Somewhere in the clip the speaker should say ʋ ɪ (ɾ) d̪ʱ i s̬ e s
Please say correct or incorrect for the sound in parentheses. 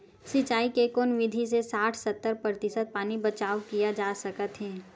incorrect: none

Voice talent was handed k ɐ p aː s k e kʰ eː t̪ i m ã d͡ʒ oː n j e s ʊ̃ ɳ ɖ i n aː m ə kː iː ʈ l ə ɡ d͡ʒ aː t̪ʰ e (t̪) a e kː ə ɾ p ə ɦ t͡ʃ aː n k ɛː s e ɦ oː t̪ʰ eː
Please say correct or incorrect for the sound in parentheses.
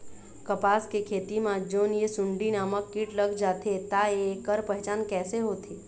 correct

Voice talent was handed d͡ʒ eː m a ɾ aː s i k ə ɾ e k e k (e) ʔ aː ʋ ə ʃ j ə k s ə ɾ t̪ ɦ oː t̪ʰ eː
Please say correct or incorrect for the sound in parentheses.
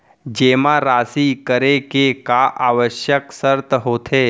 incorrect: a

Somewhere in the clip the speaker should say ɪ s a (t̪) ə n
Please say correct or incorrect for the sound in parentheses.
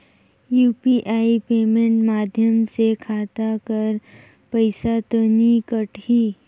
correct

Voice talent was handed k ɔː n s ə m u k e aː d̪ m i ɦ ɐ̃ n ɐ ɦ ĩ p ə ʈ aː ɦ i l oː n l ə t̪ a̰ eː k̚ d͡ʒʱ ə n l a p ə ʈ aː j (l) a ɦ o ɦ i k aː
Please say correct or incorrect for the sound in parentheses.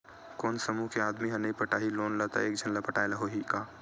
correct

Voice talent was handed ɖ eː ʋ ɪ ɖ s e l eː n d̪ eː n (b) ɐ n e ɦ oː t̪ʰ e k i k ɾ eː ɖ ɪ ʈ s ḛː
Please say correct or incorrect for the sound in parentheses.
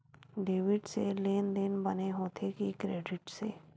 correct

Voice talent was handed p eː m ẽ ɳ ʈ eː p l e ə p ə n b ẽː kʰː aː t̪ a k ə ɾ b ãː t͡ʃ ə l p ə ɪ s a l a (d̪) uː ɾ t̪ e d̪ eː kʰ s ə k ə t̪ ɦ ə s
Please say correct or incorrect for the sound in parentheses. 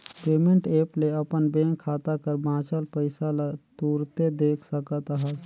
incorrect: t̪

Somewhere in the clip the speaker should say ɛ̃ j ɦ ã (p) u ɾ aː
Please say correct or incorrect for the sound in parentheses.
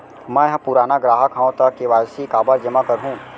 correct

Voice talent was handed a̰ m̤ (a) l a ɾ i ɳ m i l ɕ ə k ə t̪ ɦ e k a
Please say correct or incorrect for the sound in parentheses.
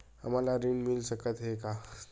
correct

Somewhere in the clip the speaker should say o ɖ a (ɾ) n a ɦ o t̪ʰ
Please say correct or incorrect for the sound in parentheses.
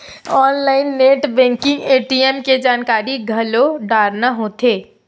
correct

